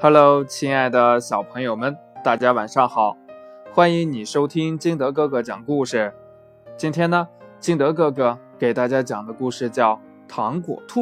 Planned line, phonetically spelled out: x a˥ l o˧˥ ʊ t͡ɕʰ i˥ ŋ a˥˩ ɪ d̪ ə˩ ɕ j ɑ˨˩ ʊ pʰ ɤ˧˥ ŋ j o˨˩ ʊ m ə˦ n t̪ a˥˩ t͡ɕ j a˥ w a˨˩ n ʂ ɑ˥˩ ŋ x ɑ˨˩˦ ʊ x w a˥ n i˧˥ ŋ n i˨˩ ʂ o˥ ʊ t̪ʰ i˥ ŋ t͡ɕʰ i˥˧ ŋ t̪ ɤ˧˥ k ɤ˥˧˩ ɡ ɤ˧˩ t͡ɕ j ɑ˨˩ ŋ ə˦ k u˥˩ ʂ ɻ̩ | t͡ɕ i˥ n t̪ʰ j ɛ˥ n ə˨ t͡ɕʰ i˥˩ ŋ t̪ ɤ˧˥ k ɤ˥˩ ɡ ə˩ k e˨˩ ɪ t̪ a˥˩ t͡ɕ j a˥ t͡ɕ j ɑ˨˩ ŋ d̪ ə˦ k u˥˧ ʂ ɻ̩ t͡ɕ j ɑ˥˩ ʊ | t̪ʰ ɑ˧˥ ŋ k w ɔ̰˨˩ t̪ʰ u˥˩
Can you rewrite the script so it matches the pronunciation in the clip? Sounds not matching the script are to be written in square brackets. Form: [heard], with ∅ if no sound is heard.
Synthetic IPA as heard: x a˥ l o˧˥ ʊ t͡ɕʰ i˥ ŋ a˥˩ ɪ d̪ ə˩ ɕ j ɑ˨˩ ʊ pʰ ɤ˧˥ ŋ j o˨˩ ʊ m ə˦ n t̪ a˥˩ t͡ɕ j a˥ w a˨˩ n ʂ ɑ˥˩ ŋ x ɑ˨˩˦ ʊ x w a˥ n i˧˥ ŋ n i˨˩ ʂ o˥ ʊ t̪ʰ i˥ ŋ [t͡ɕ] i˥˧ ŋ t̪ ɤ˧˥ k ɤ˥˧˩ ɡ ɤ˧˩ t͡ɕ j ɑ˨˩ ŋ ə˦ k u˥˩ ʂ ɻ̩ | t͡ɕ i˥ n t̪ʰ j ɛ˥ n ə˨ [t͡ɕ] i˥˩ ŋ t̪ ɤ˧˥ k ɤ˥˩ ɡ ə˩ k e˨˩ ɪ t̪ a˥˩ t͡ɕ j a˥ t͡ɕ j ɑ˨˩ ŋ d̪ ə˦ k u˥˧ ʂ ɻ̩ t͡ɕ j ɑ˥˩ ʊ | t̪ʰ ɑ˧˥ ŋ k w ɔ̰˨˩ t̪ʰ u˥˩